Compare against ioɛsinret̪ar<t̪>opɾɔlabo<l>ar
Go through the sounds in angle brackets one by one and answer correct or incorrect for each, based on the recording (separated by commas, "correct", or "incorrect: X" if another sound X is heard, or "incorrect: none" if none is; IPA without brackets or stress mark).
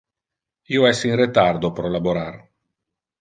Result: incorrect: d̪, incorrect: ɾ